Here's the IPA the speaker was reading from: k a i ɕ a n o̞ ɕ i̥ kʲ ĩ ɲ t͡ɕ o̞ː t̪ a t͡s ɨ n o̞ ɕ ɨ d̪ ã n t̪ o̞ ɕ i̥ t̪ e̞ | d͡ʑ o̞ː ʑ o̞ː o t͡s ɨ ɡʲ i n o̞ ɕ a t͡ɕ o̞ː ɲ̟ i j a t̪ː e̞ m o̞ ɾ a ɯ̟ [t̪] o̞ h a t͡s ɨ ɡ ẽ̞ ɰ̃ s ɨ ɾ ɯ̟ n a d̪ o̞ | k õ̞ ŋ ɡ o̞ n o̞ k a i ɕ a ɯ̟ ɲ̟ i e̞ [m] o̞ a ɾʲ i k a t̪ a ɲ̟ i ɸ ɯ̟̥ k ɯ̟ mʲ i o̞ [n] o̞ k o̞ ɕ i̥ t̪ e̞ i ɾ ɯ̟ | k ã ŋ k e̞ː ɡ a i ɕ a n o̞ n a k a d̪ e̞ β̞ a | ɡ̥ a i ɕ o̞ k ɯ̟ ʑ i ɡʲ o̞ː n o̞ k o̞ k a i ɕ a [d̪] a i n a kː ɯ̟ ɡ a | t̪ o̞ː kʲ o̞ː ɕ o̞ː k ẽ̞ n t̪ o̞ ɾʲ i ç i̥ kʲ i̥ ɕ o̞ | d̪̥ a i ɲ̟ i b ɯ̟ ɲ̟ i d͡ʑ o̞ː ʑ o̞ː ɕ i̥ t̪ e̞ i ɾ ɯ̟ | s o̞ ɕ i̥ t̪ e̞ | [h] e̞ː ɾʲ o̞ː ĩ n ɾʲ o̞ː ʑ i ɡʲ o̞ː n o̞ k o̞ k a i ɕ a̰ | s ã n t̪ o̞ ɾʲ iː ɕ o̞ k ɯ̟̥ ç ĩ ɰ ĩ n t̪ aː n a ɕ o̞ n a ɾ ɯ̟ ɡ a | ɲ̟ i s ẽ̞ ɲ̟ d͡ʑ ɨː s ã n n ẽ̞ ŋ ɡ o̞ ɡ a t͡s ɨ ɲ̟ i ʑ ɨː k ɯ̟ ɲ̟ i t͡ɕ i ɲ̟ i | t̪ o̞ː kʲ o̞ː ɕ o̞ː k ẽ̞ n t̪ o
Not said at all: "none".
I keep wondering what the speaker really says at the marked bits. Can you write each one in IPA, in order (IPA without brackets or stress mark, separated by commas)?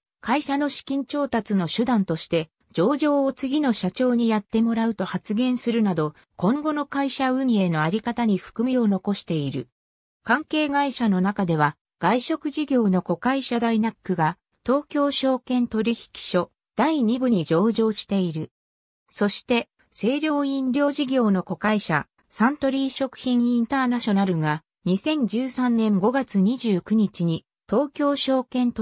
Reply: t̪, n, n, d̪, s